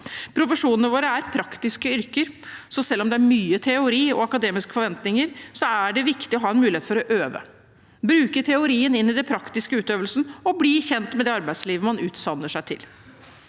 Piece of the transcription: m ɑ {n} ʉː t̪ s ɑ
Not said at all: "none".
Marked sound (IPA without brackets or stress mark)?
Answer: n